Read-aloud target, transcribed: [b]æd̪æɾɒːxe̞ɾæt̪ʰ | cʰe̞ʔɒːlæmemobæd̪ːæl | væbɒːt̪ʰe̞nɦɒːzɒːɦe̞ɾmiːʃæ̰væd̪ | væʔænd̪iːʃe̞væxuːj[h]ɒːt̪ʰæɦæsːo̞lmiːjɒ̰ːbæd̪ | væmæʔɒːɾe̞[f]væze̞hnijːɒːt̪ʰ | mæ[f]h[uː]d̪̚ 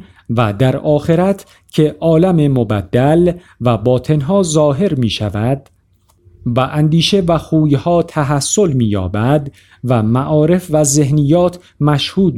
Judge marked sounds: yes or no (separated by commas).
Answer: no, yes, yes, no, yes